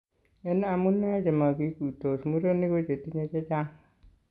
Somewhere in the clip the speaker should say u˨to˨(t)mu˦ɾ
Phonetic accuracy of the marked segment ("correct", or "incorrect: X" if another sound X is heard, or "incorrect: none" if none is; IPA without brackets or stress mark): incorrect: s